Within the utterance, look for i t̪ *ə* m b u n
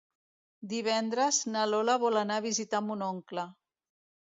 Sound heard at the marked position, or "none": a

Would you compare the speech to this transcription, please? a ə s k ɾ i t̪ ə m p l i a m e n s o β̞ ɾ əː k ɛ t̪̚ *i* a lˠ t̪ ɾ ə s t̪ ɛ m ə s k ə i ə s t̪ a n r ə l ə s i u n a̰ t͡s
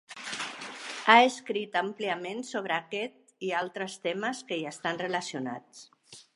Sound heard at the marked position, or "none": i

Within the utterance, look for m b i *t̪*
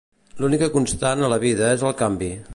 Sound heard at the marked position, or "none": none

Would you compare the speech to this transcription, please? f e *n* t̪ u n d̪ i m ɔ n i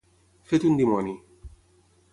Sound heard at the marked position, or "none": none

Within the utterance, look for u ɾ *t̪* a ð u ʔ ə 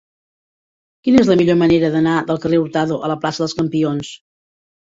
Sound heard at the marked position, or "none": t̪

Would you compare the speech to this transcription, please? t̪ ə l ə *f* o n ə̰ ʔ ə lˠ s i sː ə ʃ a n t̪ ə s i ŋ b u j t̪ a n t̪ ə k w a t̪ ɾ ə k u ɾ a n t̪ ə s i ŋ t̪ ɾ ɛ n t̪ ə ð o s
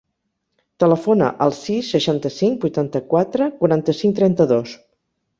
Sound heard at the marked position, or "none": f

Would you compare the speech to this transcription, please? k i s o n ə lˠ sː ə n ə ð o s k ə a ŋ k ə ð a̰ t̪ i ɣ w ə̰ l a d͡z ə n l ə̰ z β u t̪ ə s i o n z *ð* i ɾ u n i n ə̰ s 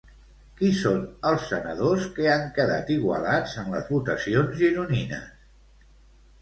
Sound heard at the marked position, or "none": ʒ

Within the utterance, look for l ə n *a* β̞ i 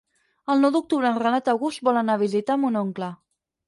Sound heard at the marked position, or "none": a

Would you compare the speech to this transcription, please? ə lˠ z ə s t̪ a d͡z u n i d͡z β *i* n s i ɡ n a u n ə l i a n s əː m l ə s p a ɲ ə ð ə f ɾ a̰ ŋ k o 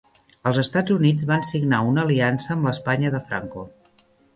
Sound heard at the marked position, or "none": a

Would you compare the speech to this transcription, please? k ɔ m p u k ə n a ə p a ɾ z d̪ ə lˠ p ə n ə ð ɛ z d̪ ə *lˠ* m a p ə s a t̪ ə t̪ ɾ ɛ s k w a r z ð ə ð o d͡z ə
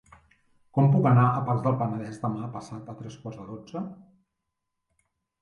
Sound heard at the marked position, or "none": none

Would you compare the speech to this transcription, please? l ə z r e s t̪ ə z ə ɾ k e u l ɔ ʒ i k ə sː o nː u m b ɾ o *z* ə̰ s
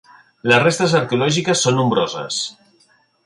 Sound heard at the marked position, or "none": z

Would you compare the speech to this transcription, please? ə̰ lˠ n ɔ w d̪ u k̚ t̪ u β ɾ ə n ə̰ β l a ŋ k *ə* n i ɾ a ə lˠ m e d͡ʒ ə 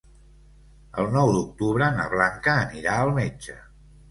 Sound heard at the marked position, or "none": əː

